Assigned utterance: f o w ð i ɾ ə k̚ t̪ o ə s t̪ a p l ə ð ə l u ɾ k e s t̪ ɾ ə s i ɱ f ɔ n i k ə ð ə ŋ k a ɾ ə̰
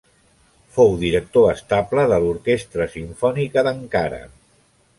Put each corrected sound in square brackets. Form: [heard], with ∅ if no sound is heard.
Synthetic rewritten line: f o w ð i ɾ ə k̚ t̪ o ə s t̪ a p l ə ð ə l u ɾ k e s t̪ ɾ ə s i ɱ f ɔ n i k ə ð ə ŋ k a ɾ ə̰